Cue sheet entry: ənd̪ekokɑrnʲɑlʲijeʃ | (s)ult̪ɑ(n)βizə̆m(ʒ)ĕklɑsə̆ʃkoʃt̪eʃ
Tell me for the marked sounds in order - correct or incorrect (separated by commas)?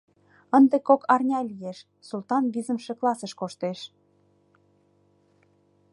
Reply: correct, correct, incorrect